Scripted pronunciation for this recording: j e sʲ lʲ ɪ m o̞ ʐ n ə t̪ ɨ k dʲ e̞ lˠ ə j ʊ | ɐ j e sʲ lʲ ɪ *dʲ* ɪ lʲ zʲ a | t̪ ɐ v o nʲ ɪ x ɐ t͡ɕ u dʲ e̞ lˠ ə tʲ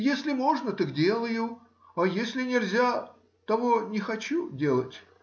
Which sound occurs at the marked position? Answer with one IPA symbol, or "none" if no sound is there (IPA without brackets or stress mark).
nʲ